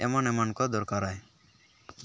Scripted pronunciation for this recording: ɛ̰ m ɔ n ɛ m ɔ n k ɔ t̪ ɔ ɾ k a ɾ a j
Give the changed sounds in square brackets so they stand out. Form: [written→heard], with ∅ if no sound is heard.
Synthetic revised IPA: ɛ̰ m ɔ n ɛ m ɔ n k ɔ [t̪→d̪] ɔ ɾ k a ɾ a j